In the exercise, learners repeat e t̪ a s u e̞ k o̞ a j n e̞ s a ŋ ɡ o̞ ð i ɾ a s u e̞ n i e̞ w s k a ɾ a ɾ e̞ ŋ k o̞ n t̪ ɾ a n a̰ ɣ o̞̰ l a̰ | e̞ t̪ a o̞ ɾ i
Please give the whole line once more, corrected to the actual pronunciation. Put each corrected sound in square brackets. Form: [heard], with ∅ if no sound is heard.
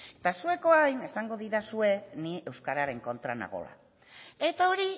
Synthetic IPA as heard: e t̪ a s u e̞ k o̞ a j n e̞ s a ŋ ɡ o̞ ð i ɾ a s u e̞ n i e̞ w s k a ɾ a ɾ e̞ ŋ k o̞ n t̪ ɾ a n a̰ ɣ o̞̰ l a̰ | e̞ t̪ a o̞ ɾ i